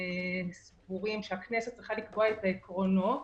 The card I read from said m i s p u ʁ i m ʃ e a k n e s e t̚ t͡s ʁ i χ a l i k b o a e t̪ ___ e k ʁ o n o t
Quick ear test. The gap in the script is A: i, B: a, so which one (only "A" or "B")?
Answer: B